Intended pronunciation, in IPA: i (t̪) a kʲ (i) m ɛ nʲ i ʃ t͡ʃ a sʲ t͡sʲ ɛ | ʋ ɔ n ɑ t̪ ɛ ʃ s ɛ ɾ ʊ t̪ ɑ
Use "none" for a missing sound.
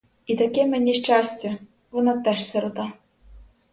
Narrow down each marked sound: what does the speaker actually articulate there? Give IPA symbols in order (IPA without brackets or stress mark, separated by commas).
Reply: t̪, ɛ